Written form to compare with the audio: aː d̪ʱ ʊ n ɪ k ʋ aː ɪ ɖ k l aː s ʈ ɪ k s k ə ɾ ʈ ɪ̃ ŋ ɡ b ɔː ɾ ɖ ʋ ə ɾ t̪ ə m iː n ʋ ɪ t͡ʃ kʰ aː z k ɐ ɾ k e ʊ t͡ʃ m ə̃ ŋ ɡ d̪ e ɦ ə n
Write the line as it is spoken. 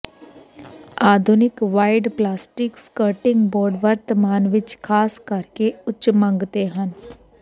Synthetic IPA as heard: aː d̪ʱ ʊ n ɪ k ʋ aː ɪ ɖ p l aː s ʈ ɪ k s k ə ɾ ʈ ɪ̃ ŋ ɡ b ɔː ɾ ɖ ʋ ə ɾ t̪ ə m aː n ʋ ɪ t͡ʃ kʰ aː s k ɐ ɾ k e ʊ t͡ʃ m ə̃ ŋ ɡ t̪ e ɦ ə n

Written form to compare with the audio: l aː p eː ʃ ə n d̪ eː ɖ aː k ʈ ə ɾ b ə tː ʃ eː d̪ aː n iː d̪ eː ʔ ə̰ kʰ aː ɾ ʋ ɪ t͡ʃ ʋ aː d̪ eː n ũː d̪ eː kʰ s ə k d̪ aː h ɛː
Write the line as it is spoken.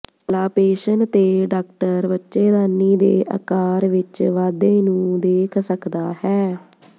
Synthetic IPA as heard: l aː p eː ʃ ə n t̪ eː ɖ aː k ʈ ə ɾ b ə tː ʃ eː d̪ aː n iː d̪ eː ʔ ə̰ k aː ɾ ʋ ɪ t͡ʃ ʋ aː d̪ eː n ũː d̪ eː kʰ s ə k d̪ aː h ɛː

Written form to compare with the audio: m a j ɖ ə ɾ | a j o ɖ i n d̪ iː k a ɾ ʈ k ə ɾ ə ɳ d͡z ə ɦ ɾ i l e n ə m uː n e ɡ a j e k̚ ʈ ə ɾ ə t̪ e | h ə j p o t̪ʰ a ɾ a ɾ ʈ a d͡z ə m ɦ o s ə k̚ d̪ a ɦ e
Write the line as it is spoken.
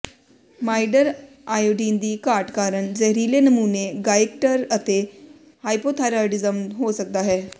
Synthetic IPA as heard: m a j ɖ ə ɾ | a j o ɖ i n d̪ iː k a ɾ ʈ k a ɾ ə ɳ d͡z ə ɦ ɾ i l e n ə m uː n e ɡ a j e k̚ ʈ ə ɾ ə t̪ e | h a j p o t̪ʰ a ɾ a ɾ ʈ i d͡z ə m ɦ o s ə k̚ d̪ a ɦ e

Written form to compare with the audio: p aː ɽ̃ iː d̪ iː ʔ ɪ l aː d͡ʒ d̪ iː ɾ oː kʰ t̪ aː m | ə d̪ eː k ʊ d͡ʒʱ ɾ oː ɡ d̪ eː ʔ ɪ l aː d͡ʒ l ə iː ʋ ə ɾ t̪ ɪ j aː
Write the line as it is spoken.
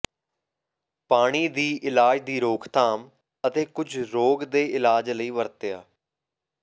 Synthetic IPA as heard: p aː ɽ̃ iː d̪ iː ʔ ɪ l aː d͡ʒ d̪ iː ɾ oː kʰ t̪ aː m | ə t̪ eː k ʊ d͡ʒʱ ɾ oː ɡ d̪ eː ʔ ɪ l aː d͡ʒ l ə iː ʋ ə ɾ t̪ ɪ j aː

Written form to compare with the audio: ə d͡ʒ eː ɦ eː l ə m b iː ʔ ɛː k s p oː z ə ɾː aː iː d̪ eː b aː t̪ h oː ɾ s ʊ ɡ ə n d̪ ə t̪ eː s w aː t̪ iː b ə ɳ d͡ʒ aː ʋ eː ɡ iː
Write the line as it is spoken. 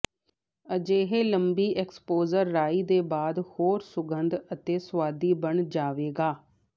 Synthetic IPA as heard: ə d͡ʒ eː ɦ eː l ə m b iː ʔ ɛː k s p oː z ə ɾː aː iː d̪ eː b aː d̪ h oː ɾ s ʊ ɡ ə n d̪ ə t̪ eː s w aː d̪ iː b ə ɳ d͡ʒ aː ʋ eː ɡ aː

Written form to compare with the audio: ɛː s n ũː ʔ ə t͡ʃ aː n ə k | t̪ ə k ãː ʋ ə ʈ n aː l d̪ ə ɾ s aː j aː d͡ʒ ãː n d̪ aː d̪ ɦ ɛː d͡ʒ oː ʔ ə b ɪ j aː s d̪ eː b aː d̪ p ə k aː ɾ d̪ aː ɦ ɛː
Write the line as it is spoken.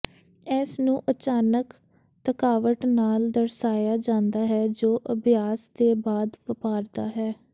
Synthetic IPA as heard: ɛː s n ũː ʔ ə t͡ʃ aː n ə k | t̪ ə k aː ʋ ə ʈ n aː l d̪ ə ɾ s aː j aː d͡ʒ ãː n d̪ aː ɦ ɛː d͡ʒ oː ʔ ə b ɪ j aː s d̪ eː b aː d̪ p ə p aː ɾ d̪ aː ɦ ɛː

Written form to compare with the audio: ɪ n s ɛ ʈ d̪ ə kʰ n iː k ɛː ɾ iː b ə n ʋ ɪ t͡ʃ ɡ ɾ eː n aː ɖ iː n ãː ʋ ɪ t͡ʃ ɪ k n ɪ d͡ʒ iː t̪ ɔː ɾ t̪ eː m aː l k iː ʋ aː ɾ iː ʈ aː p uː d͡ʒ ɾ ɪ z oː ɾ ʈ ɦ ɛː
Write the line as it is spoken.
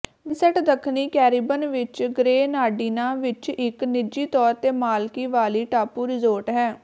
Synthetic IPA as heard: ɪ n s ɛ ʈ d̪ ə kʰ n iː k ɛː ɾ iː b ə n ʋ ɪ t͡ʃ ɡ ɾ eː n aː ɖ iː n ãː ʋ ɪ t͡ʃ ɪ k n ɪ d͡ʒ iː t̪ ɔː ɾ t̪ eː m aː l k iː ʋ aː l iː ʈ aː p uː ɾ ɪ z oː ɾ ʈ ɦ ɛː

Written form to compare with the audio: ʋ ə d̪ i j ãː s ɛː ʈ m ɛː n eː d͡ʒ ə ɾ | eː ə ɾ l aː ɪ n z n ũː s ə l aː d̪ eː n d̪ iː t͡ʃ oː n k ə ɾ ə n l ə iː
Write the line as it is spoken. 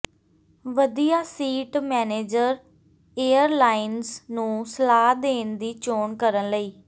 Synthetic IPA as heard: ʋ ə d̪ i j aː s iː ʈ m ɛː n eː d͡ʒ ə ɾ | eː ə ɾ l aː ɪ n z n ũː s ə l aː d̪ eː n d̪ iː t͡ʃ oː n k ə ɾ ə n l ə iː

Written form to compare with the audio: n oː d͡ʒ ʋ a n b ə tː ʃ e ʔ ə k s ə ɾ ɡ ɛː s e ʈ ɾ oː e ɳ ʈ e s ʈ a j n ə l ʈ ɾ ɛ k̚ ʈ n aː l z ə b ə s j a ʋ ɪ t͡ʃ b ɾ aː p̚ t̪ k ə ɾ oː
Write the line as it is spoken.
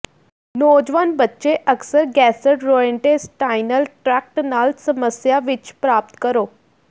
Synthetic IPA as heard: n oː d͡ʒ ʋ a n b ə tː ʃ e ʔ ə k s ə ɾ ɡ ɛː s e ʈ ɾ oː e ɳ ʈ e s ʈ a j n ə l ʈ ɾ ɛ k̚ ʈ n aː l s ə m ə s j a ʋ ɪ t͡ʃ p ɾ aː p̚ t̪ k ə ɾ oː

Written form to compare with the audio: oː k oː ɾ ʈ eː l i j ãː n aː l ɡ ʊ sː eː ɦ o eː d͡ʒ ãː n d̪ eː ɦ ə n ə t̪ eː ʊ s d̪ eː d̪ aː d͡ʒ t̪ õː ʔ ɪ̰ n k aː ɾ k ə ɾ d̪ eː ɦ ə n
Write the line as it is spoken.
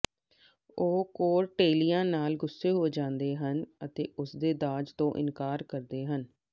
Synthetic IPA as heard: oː k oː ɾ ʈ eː l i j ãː n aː l ɡ ʊ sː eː ɦ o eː d͡ʒ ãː n d̪ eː ɦ ə n ə t̪ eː ʊ s d̪ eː d̪ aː d͡ʒ t̪ õː ʔ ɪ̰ n k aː ɾ k ə ɾ d̪ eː ɦ ə n

